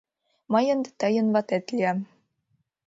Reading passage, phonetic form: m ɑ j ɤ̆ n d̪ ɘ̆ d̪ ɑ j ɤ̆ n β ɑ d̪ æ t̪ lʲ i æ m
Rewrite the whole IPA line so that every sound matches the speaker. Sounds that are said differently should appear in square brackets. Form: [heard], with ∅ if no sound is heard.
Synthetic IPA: m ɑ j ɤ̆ n d̪ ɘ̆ [t̪] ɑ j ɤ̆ n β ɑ [t̪] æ t̪ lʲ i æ m